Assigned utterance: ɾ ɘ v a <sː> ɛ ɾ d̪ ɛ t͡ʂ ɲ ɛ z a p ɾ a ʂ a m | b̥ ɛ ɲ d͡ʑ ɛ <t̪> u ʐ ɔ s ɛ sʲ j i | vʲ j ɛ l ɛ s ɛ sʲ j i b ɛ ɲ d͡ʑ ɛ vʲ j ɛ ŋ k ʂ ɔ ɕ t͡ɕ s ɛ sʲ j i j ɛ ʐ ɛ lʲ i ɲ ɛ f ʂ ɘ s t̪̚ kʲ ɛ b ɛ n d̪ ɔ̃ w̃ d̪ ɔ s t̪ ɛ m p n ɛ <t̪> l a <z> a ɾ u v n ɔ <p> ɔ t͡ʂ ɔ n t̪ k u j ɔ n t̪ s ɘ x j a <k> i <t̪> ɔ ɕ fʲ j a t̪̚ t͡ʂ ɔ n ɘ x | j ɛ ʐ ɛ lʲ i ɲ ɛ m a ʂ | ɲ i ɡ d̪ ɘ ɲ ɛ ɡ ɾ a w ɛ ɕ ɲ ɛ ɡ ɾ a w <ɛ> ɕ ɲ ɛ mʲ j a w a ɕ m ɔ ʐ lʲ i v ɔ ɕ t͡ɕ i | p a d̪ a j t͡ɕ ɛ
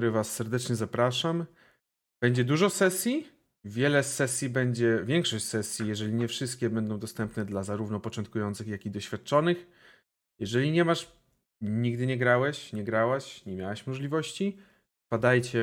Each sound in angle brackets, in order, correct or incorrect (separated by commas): correct, incorrect, incorrect, correct, correct, correct, incorrect, incorrect